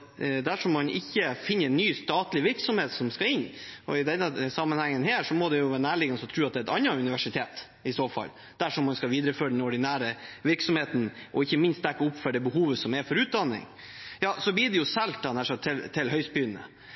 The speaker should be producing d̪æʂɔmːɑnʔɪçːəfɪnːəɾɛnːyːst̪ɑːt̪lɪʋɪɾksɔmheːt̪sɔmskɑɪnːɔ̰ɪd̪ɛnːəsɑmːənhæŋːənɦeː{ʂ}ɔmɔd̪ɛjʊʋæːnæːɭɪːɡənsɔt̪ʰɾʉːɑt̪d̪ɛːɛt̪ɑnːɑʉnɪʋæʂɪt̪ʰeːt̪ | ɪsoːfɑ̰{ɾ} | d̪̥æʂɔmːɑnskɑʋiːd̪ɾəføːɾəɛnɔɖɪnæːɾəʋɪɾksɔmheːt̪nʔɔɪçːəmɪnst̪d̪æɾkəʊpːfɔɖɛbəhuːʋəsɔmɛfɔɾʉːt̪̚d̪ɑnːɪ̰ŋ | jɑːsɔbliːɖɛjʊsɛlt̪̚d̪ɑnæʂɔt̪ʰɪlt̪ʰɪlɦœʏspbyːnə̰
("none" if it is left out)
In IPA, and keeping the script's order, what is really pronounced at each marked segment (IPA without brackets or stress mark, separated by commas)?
ʂ, l